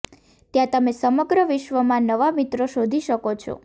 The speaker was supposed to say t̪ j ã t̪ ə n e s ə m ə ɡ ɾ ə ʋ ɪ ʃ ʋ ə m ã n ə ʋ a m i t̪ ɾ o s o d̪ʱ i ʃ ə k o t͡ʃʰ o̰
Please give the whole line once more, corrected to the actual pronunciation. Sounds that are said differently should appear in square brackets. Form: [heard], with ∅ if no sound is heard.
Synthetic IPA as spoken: t̪ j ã t̪ ə [m] e s ə m ə ɡ ɾ ə ʋ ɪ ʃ ʋ ə m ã n ə ʋ a m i t̪ ɾ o [ʃ] o d̪ʱ i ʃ ə k o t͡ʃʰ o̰